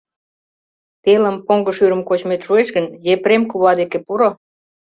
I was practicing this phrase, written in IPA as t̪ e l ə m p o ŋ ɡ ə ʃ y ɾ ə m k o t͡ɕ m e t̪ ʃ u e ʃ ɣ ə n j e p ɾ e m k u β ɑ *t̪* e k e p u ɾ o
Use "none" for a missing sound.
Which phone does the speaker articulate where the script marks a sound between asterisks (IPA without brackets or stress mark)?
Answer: d̪